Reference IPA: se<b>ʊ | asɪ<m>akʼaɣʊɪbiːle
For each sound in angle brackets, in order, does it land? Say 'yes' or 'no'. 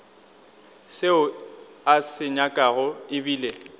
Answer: no, no

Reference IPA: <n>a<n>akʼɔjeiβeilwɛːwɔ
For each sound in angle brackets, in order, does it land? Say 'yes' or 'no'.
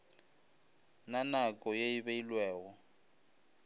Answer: yes, yes

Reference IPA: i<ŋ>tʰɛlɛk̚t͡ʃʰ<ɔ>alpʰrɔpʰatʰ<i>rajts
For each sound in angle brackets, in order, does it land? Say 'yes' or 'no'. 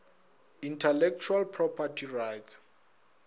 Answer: no, no, yes

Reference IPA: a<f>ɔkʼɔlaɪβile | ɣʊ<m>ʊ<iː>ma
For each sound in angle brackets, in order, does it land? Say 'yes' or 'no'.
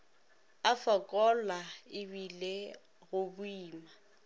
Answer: yes, no, yes

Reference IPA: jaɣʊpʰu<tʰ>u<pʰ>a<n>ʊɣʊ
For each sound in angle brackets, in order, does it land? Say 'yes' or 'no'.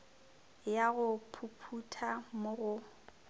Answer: no, no, no

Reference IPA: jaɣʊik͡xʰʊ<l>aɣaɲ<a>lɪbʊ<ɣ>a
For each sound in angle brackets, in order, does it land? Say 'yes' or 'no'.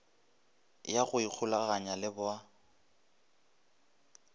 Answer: yes, yes, no

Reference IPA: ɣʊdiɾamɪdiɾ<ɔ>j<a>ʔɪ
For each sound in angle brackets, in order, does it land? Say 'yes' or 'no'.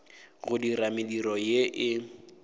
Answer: yes, no

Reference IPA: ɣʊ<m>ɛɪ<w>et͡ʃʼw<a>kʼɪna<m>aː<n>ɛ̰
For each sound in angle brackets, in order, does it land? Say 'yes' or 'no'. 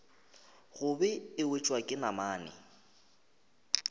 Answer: no, yes, yes, yes, yes

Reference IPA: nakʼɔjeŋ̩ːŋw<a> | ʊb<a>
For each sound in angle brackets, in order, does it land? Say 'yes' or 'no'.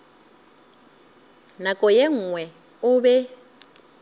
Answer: no, no

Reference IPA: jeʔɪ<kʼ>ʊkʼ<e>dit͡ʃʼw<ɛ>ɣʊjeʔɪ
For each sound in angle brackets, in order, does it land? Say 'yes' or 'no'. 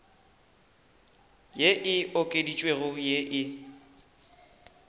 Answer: no, yes, no

